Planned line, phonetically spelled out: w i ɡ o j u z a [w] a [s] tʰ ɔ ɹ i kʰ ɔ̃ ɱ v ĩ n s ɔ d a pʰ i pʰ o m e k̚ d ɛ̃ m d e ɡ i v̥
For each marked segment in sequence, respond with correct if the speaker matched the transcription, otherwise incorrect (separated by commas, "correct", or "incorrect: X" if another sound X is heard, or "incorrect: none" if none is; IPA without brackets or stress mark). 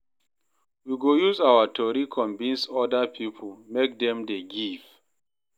correct, incorrect: none